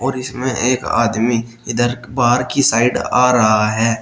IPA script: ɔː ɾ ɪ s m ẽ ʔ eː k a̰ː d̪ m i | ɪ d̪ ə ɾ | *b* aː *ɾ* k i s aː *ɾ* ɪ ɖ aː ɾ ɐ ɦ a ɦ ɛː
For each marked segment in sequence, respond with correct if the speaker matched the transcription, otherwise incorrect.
correct, correct, incorrect: none

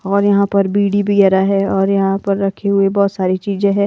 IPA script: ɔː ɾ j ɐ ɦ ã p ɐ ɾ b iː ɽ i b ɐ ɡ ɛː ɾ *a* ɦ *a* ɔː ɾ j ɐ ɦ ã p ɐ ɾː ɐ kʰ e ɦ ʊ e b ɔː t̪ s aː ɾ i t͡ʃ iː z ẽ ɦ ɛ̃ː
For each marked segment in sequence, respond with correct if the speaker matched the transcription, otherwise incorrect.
correct, incorrect: ɛ

